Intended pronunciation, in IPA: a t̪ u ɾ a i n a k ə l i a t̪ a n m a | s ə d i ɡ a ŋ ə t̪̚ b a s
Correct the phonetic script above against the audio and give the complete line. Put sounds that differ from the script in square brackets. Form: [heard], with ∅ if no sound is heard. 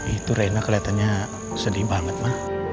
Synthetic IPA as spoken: [i] t̪ u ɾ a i n a k ə l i a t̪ a n [ɲ] a | s ə d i [b] a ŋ ə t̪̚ [m] a [h]